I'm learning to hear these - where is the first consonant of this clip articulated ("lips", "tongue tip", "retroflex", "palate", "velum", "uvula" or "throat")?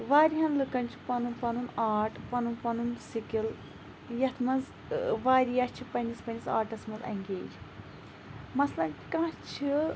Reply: lips